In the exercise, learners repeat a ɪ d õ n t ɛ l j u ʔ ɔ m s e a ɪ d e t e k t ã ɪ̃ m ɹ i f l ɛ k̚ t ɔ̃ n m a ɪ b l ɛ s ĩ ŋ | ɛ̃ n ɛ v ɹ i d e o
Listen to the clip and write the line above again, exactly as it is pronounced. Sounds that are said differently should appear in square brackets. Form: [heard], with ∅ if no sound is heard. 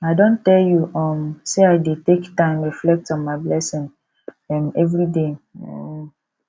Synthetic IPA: a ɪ d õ n t ɛ l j u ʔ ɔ m s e a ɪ d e t e k t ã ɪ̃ m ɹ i f l ɛ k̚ t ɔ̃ n m a ɪ b l ɛ s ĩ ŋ | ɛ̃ [m] ɛ v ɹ i d e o

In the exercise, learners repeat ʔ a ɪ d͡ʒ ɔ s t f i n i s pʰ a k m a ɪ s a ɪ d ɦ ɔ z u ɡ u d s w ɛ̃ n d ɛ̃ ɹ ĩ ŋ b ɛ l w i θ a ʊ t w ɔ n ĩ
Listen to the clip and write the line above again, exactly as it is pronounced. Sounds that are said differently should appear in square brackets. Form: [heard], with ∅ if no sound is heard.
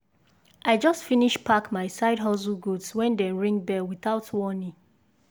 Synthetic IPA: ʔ a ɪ d͡ʒ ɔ s t f i n i [ʃ] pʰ a k m a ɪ s a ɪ d ɦ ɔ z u ɡ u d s w ɛ̃ n d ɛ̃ ɹ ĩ ŋ b ɛ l w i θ a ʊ t w ɔ n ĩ

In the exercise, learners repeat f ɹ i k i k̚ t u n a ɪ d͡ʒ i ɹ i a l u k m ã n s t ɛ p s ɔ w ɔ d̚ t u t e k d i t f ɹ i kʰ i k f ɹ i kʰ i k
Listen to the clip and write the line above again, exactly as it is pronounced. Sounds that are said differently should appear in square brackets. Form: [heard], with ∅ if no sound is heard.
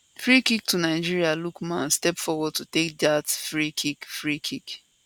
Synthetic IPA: f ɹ i k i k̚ t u n a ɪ d͡ʒ i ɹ i a l u k m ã n s t ɛ p [f] ɔ w ɔ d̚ t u t e k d [a] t f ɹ i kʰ i k f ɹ i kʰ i k

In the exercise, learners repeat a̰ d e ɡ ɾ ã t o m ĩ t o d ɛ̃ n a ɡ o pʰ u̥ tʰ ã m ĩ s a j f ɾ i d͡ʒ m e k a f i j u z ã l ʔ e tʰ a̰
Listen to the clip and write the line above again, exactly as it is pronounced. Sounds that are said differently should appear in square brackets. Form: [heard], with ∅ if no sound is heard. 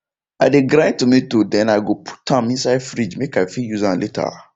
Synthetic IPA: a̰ d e ɡ ɾ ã t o m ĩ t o d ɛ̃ n a ɡ o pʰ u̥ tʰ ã m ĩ s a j f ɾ i d͡ʒ m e k a f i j u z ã l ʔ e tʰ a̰

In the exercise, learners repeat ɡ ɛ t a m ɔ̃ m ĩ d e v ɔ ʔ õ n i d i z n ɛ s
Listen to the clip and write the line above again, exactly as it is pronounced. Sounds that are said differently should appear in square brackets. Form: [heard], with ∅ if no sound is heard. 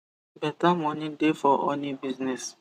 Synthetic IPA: [b] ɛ t a m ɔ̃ [n] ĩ d e [f] ɔ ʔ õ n i [b] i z n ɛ s

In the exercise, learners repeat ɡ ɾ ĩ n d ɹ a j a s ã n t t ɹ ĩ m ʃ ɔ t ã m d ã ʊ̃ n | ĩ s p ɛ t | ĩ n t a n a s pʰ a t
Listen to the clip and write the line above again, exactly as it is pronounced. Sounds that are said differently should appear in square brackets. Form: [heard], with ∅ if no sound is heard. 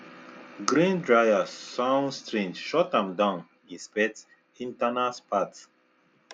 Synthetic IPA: ɡ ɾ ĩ n d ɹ a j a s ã n [s] t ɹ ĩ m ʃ ɔ t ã m d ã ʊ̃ n | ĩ s p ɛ t | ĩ n t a n a s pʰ a t

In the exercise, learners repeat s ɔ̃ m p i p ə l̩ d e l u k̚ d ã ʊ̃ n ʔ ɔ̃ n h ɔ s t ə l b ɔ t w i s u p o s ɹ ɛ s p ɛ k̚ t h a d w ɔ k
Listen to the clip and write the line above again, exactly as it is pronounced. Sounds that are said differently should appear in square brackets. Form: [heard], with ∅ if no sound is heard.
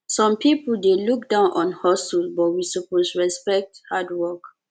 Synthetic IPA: s ɔ̃ m p i p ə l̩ d e l u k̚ d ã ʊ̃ n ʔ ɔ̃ n h ɔ s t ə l b ɔ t w i s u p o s ɹ ɛ s p ɛ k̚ t h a d w ɔ k

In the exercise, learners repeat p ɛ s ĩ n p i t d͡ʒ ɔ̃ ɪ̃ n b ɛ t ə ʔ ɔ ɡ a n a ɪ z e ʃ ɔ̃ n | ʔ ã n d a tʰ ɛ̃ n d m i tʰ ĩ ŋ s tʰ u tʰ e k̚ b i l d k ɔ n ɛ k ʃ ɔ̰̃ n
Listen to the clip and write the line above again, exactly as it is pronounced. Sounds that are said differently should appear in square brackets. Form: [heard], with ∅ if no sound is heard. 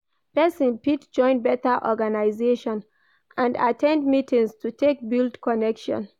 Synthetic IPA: p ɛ s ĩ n p i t d͡ʒ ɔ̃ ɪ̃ n b ɛ t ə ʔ ɔ ɡ a n a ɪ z e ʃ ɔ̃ n | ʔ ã n d a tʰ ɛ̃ n d m i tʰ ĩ ŋ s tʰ u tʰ e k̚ b i l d k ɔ n ɛ k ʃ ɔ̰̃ n

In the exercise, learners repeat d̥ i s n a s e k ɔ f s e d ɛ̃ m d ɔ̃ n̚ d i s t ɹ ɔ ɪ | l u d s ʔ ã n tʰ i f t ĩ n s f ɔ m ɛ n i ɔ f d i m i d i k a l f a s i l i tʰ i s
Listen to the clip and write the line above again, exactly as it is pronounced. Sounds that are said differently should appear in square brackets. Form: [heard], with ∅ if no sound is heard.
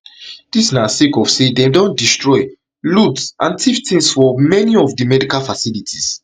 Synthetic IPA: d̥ i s n a s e k ɔ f s e d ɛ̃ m d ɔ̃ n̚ d i s t ɹ ɔ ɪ | l u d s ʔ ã n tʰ i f t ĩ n s f ɔ m ɛ n i ɔ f d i m [ɛ] d i k a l f a s i l i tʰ i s

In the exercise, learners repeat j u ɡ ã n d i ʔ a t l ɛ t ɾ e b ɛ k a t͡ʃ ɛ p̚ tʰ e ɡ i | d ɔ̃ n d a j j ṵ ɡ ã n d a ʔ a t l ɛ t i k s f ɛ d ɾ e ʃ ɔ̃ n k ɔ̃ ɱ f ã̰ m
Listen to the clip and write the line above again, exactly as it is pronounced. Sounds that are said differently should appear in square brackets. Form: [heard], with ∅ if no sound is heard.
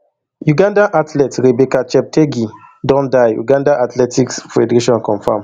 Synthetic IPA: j u ɡ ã n d [a] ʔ a t l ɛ t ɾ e b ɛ k a t͡ʃ ɛ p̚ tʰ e ɡ i | d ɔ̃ n d a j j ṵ ɡ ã n d a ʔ a t l ɛ t i k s f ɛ d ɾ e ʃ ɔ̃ n k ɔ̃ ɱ f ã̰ m

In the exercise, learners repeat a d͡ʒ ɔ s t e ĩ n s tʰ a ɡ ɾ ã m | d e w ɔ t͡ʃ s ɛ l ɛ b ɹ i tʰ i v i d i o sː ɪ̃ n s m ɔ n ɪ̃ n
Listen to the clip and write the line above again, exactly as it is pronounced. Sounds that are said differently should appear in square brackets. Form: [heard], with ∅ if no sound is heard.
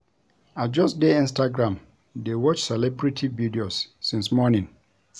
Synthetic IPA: a d͡ʒ ɔ s [d] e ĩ n s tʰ a ɡ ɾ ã m | d e w ɔ t͡ʃ s ɛ l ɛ b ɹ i tʰ i v i d i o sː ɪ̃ n s m ɔ n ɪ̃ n

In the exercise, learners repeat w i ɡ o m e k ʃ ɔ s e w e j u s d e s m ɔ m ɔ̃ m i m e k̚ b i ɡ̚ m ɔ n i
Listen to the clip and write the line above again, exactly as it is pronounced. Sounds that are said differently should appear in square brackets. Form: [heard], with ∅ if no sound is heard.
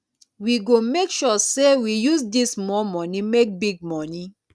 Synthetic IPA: w i ɡ o m e k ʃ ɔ s e w [i] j u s d [i] s m ɔ m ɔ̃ [n] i m e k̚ b i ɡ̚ m ɔ n i

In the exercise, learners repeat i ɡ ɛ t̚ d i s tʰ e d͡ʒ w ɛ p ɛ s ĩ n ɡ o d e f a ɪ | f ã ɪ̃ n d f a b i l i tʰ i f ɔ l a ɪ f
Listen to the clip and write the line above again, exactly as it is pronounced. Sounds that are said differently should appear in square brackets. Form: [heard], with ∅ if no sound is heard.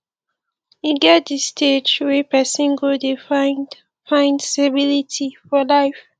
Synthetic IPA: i ɡ ɛ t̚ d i s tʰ e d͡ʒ w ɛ p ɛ s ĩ n ɡ o d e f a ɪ | f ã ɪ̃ n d [s] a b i l i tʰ i f ɔ l a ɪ f

